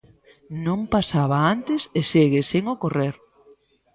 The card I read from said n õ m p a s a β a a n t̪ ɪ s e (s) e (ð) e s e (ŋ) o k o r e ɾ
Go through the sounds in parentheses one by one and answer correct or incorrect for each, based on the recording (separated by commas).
correct, incorrect, correct